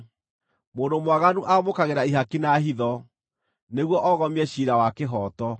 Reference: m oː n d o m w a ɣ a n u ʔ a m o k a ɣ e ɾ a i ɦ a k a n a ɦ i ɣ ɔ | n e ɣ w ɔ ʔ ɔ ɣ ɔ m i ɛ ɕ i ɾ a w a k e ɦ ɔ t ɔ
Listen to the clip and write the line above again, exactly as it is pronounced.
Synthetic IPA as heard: m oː n d o m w a ɣ a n u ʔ a m o k a ɣ e ɾ a i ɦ a k i n a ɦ i ð ɔ | n e ɣ w ɔ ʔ ɔ ɣ ɔ m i ɛ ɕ i ɾ a w a k e ɦ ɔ t ɔ